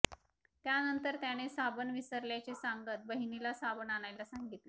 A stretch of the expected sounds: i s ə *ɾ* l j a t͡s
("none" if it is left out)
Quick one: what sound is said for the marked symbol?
ɾ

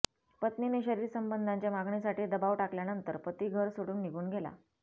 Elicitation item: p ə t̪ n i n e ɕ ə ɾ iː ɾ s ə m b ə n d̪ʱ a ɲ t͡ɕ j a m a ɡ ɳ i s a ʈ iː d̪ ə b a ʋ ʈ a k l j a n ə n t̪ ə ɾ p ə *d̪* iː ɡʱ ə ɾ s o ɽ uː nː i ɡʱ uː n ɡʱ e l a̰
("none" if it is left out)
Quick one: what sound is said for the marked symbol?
t̪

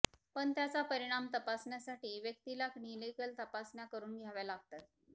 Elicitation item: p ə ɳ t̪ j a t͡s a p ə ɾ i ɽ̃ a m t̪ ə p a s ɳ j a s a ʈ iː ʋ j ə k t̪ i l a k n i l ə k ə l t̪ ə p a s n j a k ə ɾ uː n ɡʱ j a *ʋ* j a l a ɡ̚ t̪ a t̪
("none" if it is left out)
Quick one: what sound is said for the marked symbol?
ʋ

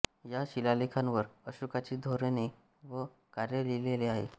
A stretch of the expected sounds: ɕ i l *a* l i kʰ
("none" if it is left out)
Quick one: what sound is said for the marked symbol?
a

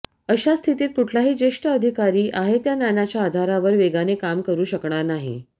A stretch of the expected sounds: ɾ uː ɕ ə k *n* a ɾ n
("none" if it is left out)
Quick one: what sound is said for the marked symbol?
ɳ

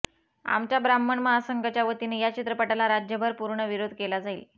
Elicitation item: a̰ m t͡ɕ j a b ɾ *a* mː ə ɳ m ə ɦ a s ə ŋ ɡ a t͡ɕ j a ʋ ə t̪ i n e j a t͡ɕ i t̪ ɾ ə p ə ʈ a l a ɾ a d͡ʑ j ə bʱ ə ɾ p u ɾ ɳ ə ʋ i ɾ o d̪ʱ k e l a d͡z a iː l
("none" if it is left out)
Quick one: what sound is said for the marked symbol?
a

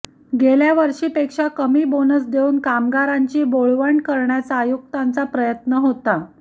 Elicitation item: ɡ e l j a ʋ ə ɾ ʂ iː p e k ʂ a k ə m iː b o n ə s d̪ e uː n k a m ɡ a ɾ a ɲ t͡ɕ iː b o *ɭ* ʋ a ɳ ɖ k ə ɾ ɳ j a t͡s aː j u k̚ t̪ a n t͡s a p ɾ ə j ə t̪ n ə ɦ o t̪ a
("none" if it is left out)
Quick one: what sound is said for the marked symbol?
ɭ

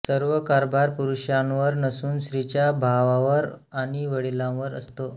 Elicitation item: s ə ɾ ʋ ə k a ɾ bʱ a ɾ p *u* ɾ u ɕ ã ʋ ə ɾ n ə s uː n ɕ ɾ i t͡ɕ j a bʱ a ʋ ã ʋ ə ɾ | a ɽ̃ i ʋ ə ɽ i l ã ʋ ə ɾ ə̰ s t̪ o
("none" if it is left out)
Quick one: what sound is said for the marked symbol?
u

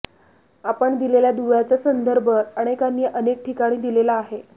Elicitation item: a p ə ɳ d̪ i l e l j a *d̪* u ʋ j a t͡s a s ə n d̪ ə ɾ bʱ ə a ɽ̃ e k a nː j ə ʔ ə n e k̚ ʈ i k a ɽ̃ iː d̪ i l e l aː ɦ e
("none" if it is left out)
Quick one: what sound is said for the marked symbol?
d̪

